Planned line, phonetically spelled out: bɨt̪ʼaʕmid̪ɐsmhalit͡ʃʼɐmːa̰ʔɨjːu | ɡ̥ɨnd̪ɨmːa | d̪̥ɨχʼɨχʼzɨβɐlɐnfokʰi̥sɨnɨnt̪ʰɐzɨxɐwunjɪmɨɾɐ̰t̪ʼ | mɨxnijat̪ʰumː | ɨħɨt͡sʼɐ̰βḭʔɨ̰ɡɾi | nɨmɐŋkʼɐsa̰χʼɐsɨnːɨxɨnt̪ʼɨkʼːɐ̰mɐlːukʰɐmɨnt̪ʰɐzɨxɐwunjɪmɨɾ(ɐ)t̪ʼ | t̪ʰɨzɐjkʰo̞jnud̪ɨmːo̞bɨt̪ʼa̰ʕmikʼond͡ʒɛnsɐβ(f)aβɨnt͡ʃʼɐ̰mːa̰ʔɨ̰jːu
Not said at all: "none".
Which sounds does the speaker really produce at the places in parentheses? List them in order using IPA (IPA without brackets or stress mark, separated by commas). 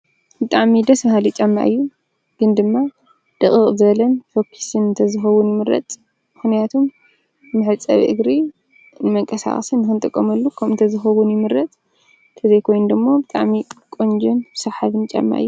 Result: ɐ, ħ